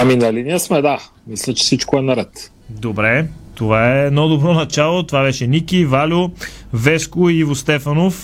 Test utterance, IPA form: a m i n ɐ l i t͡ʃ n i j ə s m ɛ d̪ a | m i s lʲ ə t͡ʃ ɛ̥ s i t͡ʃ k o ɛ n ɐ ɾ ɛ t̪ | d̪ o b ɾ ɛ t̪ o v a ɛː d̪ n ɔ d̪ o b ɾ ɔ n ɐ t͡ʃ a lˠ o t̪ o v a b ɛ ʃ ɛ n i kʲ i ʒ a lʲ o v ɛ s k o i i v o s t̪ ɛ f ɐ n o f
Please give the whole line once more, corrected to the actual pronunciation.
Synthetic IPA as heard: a m i n ɐ l i n i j ə s m ɛ d̪ a | m i s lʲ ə t͡ʃ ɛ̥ s i t͡ʃ k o ɛ n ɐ ɾ ɛ t̪ | d̪ o b ɾ ɛ t̪ o v a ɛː d̪ n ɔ d̪ o b ɾ ɔ n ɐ t͡ʃ a lˠ o t̪ o v a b ɛ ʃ ɛ n i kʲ i v a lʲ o v ɛ s k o i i v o s t̪ ɛ f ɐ n o f